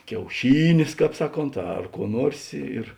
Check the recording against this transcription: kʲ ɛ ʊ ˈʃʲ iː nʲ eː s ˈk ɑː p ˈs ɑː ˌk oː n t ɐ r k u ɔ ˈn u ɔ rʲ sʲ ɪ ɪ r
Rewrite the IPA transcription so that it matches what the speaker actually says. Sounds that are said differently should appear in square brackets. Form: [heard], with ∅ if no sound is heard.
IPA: kʲ ɛ ʊ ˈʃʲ iː nʲ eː s ˈk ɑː p ˈs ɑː ˌk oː n t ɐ r k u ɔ ˈn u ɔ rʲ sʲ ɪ ɪ r